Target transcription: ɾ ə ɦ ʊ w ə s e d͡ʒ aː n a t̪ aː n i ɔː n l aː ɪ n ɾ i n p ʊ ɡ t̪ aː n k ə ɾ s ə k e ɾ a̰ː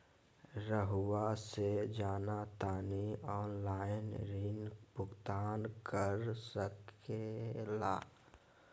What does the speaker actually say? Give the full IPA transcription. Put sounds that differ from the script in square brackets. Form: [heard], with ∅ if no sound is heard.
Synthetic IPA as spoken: ɾ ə ɦ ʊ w [a] s e d͡ʒ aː n a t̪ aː n i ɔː n l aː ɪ n ɾ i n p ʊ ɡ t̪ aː n k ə ɾ s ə k e [l] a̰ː